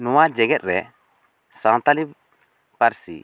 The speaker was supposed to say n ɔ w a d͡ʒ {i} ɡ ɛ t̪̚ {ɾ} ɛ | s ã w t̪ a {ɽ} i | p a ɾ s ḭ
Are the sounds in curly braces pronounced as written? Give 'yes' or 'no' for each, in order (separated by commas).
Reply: no, yes, no